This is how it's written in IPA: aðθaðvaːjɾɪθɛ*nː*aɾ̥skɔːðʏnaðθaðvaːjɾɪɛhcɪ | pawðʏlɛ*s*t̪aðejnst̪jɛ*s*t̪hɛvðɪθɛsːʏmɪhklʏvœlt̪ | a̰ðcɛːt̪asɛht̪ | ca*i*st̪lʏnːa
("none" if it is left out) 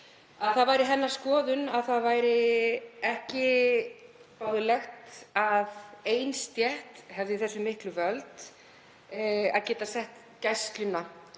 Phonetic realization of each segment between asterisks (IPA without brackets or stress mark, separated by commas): nː, x, h, j